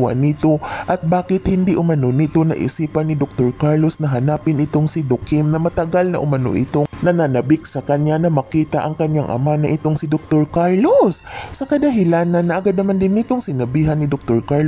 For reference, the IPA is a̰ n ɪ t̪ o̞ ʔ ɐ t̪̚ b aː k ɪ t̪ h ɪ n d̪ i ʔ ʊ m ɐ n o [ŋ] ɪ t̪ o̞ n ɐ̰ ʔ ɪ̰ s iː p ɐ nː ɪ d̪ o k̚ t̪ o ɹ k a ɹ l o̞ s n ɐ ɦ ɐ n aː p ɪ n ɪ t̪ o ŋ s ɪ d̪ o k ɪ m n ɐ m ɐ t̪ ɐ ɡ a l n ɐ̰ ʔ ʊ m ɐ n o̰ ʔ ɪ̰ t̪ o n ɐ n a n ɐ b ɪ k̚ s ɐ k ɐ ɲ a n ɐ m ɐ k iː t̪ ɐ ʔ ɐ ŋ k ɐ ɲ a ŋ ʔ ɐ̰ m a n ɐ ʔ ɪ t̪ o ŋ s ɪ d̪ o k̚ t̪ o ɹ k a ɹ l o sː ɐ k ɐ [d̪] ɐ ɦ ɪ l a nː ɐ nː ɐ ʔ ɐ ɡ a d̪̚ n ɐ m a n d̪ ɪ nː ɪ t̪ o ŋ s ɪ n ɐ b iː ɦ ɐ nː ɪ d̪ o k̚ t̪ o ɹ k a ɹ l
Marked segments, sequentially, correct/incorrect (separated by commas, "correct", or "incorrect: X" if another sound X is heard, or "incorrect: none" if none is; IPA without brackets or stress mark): incorrect: n, correct